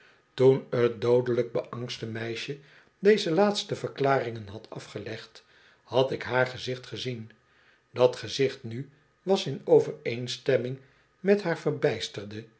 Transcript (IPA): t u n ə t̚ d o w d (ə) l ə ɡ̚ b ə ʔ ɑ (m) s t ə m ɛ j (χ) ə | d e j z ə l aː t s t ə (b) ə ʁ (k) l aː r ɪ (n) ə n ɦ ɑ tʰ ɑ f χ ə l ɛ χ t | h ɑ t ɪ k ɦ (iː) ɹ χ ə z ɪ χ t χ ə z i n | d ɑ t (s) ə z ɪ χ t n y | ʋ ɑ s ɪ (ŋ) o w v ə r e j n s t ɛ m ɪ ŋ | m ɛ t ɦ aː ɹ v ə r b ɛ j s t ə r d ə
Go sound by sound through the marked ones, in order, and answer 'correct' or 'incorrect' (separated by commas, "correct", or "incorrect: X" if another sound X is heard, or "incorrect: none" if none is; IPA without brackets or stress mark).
correct, incorrect: ŋ, incorrect: ʃ, incorrect: v, correct, incorrect: ŋ, incorrect: aː, incorrect: χ, incorrect: n